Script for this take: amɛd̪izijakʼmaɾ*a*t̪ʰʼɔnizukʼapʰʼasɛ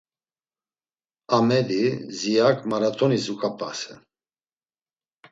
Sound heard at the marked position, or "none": a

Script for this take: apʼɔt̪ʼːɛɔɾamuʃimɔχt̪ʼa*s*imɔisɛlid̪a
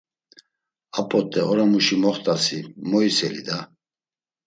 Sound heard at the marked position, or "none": s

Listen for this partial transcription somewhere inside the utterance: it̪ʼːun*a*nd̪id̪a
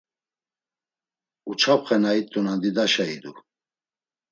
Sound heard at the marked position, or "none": a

